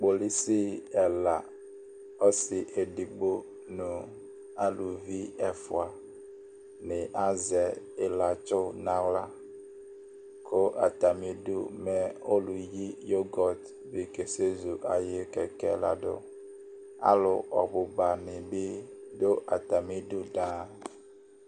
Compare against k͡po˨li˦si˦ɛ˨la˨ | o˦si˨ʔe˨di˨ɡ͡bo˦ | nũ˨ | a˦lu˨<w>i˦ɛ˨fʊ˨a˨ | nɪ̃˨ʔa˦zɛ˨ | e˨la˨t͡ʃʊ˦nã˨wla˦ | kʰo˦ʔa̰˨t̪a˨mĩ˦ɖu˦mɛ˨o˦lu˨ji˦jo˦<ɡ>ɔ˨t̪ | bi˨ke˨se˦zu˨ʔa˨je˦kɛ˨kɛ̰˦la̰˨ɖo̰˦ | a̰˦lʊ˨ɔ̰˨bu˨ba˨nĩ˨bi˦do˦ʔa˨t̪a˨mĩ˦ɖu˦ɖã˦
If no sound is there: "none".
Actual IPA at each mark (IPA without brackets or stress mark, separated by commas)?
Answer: v, ɡ